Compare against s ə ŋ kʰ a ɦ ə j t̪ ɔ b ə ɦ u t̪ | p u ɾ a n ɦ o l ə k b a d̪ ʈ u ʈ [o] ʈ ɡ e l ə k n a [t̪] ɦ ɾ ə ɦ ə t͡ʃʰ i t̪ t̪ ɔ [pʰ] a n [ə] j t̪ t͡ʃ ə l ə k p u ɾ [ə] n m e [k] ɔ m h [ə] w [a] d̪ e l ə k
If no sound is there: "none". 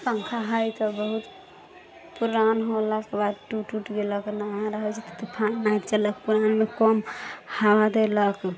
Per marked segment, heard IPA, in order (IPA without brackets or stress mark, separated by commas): u, none, pʰ, a, a, k, a, a